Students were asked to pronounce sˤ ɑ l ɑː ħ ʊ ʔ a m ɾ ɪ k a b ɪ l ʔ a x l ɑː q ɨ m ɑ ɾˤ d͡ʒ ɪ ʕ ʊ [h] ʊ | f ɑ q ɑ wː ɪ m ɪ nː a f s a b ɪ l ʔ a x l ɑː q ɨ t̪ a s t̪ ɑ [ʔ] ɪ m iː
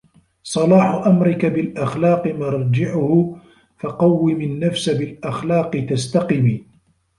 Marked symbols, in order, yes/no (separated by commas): yes, no